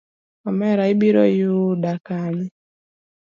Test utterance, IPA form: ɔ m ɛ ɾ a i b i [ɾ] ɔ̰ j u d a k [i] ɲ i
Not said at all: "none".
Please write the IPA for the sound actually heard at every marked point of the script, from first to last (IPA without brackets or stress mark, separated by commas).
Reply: ɾ, a